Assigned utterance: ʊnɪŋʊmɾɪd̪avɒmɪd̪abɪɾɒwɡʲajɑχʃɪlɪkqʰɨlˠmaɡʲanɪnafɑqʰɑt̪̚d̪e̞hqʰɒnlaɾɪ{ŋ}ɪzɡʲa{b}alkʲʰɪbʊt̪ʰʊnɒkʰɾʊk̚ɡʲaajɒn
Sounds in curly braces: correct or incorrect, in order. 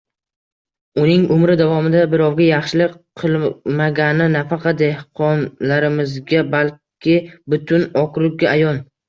incorrect, correct

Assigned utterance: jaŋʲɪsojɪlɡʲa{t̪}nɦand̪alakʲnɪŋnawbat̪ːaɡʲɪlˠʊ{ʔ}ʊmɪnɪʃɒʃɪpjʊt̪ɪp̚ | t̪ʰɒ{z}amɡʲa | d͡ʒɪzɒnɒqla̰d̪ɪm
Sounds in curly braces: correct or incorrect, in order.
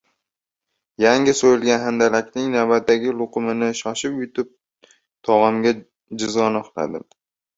incorrect, incorrect, incorrect

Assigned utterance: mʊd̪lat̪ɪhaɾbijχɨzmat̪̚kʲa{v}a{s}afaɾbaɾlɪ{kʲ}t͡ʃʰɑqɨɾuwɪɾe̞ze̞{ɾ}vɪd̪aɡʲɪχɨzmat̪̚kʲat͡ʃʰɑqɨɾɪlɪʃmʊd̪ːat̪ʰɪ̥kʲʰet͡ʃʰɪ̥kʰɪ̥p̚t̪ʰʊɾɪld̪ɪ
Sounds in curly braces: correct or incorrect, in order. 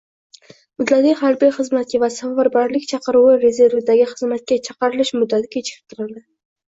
correct, correct, correct, correct

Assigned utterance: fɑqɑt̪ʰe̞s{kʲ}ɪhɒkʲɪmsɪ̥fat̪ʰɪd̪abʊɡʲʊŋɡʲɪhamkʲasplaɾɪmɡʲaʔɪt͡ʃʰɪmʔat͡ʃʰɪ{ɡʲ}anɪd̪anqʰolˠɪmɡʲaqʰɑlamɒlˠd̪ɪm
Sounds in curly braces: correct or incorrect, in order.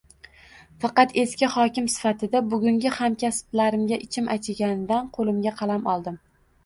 correct, correct

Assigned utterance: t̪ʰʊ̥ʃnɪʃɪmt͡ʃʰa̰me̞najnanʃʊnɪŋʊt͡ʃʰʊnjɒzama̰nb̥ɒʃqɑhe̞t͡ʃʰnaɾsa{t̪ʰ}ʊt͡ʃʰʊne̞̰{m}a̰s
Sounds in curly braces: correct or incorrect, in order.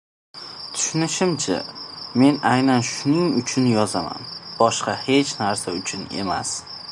incorrect, correct

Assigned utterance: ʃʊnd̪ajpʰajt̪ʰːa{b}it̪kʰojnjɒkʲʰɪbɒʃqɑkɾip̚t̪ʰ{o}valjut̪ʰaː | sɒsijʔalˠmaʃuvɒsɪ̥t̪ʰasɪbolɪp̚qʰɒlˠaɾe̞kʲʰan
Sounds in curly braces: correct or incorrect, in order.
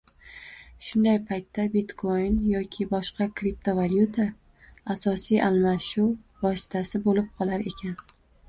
correct, correct

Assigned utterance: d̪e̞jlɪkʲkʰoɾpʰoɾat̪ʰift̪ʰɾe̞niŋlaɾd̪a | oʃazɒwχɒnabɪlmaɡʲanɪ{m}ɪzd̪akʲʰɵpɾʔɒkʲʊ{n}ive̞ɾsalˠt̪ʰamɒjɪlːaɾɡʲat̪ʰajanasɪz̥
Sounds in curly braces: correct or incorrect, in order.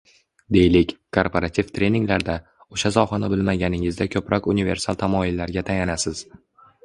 incorrect, correct

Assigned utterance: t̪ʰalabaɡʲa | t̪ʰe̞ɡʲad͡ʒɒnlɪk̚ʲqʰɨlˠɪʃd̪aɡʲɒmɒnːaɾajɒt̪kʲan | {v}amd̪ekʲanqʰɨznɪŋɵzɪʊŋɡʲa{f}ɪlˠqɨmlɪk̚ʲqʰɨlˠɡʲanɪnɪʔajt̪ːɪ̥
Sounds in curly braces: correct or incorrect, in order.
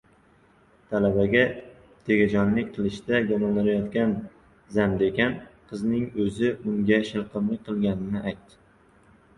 incorrect, incorrect

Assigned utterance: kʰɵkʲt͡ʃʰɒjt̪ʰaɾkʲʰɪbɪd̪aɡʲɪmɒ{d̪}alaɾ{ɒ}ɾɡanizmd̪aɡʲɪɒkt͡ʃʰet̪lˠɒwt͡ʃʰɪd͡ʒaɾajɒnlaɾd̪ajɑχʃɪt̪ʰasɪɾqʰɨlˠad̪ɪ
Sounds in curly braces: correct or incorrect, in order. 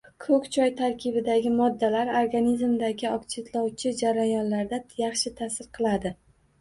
incorrect, incorrect

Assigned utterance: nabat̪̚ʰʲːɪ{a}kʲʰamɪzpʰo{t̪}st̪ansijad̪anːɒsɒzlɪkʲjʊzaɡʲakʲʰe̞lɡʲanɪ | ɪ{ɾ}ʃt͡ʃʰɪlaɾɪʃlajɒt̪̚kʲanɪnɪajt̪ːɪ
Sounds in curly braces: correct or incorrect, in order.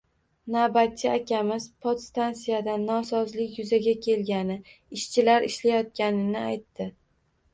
correct, correct, incorrect

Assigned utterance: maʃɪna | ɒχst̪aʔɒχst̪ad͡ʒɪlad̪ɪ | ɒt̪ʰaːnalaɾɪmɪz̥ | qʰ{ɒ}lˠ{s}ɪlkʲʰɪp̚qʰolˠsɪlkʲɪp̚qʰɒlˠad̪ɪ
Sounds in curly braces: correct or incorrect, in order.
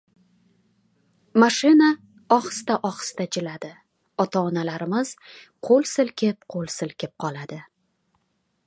incorrect, correct

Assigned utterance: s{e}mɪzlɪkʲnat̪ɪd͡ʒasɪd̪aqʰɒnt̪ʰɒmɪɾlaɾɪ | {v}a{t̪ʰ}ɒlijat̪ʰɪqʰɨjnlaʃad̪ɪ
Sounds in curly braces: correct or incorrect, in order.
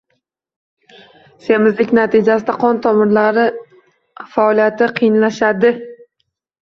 correct, incorrect, incorrect

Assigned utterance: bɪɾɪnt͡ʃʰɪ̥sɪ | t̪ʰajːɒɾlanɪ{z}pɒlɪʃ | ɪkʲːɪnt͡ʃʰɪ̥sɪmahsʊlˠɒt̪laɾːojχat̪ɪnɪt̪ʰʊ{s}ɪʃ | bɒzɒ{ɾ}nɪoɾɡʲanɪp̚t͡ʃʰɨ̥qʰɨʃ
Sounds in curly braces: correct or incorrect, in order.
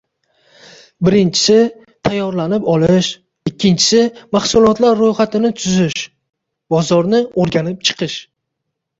incorrect, incorrect, correct

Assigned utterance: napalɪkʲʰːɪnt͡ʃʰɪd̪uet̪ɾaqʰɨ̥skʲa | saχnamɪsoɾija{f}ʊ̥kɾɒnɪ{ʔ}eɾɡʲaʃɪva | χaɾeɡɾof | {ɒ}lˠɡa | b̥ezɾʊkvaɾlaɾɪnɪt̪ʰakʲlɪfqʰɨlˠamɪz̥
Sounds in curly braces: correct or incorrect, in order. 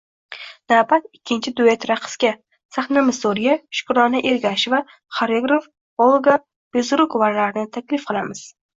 incorrect, correct, incorrect

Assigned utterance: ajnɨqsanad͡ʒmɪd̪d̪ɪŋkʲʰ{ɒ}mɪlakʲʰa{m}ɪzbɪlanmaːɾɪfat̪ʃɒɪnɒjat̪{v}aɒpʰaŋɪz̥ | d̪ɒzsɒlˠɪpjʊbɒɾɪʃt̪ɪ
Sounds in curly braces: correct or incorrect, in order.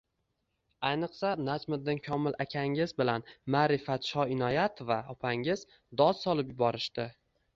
correct, incorrect, correct

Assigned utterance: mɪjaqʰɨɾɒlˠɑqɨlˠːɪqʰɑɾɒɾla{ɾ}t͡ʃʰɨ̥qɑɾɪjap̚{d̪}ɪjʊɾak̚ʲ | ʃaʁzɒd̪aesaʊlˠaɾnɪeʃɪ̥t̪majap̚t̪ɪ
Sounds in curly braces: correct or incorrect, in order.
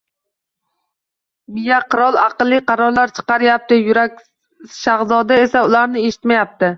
correct, incorrect

